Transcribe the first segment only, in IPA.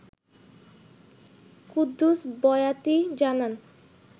k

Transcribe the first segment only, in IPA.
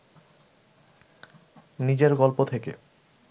n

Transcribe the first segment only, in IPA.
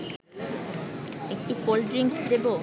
e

